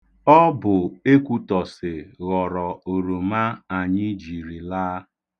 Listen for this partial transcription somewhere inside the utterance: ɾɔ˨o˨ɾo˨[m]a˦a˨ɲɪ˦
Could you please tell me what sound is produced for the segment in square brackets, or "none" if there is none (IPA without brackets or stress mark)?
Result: m